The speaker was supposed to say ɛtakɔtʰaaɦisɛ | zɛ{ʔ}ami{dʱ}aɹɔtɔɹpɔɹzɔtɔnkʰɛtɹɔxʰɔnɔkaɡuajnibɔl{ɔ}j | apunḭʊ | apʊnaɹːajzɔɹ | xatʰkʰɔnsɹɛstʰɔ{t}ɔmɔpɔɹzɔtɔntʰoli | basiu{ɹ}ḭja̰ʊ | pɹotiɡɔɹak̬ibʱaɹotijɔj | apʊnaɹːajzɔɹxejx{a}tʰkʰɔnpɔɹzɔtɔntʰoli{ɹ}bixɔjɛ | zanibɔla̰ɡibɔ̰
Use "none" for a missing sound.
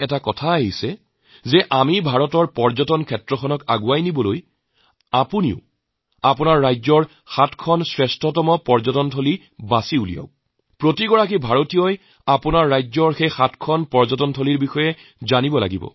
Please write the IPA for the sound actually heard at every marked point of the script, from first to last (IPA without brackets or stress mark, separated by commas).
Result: ʔ, bʱ, o, t, l, a, ɹ